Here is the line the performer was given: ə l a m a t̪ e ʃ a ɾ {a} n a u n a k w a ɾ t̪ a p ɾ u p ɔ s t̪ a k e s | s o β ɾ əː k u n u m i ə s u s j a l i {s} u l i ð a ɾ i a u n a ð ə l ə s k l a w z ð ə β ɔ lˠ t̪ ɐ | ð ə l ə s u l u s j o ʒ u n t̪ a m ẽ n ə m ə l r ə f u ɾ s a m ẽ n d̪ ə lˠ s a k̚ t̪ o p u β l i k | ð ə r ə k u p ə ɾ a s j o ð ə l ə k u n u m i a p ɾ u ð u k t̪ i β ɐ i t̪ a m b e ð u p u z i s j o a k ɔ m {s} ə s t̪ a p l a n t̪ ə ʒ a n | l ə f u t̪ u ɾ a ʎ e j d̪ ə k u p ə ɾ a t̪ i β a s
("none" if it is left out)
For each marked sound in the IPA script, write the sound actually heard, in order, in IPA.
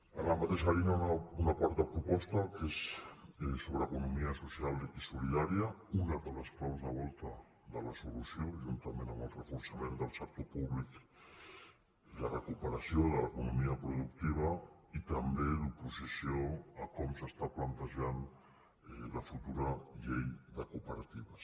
i, s, s

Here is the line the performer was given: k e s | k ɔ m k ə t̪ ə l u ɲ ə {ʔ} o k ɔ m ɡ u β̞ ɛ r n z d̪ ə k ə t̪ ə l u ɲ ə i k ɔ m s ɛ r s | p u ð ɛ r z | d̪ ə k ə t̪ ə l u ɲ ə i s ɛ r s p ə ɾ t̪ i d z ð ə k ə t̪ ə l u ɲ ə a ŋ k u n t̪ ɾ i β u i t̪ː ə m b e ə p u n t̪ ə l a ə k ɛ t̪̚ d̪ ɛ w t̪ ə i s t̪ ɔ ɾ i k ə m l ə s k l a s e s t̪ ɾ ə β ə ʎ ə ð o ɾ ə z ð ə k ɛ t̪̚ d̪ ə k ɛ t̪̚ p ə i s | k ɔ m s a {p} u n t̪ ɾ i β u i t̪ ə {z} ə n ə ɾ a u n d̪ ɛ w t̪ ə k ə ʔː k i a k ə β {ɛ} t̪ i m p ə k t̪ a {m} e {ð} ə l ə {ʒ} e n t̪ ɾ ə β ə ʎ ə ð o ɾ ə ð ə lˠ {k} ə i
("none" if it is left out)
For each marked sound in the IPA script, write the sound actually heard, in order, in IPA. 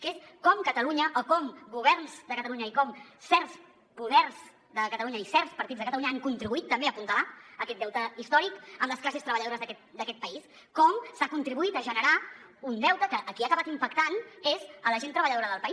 ʔ, k, ʒ, a, n, z, ʒ, p

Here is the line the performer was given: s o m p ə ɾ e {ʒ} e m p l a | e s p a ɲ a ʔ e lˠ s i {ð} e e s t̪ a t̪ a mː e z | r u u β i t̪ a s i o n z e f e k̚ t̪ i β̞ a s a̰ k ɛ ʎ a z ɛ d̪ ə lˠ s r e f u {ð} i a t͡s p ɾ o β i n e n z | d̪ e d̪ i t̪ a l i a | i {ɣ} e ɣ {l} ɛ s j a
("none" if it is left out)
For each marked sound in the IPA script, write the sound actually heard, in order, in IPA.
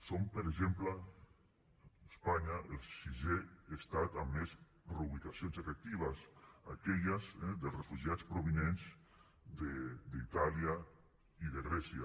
ʒ, ʒ, ʒ, ð, ɾ

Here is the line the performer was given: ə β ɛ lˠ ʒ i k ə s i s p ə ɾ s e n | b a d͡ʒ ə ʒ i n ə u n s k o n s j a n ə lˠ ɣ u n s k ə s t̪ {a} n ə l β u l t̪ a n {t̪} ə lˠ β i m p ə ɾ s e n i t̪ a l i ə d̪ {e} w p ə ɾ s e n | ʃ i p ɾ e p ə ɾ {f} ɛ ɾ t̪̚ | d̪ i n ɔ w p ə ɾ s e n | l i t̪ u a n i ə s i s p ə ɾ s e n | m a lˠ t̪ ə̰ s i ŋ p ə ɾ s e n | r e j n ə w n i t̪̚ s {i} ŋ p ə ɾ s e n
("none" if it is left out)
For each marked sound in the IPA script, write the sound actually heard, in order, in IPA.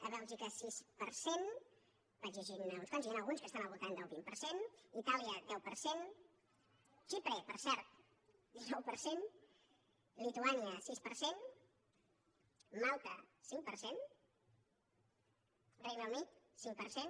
a, d̪, ɛ, s, i

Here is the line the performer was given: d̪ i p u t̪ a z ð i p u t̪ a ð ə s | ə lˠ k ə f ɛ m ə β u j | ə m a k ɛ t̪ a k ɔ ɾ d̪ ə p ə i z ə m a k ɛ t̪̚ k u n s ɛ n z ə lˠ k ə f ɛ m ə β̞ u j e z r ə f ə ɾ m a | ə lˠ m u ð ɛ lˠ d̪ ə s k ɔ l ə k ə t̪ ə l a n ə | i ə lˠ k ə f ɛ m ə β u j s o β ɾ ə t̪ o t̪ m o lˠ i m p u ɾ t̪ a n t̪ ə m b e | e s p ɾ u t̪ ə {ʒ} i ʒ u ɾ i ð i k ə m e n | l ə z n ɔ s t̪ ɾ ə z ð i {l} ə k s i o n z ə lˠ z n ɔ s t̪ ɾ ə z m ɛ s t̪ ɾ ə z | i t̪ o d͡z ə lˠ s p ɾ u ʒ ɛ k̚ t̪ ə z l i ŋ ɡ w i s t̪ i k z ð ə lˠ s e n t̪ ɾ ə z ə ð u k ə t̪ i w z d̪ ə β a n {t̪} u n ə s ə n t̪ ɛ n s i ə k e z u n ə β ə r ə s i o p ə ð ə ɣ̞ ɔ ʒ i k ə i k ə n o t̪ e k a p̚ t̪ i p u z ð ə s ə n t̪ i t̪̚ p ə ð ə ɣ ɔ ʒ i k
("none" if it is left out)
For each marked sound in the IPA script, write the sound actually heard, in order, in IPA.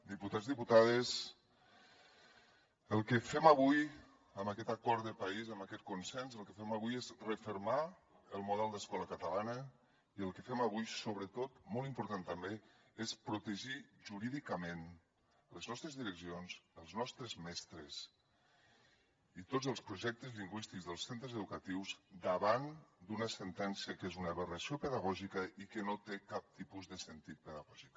ʒ, ɾ, d̪

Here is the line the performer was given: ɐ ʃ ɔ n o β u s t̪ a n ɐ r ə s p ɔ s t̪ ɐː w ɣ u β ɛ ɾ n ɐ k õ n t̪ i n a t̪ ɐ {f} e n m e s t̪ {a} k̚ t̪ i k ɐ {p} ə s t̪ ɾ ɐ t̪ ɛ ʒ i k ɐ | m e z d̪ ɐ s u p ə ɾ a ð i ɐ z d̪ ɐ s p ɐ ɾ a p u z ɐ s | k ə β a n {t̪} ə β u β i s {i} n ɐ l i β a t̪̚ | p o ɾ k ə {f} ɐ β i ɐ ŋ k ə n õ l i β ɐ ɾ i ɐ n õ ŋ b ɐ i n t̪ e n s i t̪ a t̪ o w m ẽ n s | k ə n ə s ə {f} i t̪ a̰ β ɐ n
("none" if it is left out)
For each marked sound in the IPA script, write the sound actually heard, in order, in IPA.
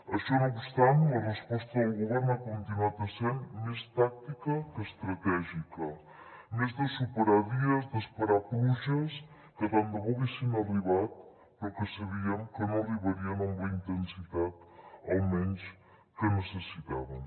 s, a, k, d̪, i, s, s

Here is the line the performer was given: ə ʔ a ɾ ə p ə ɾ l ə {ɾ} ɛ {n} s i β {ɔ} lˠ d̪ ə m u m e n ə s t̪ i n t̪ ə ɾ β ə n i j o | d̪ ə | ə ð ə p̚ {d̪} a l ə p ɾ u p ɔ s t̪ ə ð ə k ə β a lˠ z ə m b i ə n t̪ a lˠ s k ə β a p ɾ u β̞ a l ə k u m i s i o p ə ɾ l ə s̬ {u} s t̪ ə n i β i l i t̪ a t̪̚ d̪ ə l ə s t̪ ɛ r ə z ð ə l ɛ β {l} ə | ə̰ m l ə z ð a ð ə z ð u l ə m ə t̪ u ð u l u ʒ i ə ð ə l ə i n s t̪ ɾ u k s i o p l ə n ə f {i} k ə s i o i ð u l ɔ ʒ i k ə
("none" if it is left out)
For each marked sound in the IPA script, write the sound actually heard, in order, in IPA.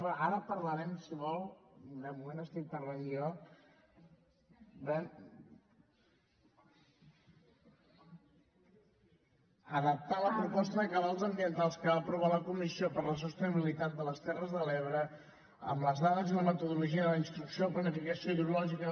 ɾ, m, ɔ, t̪, u, ɾ, i

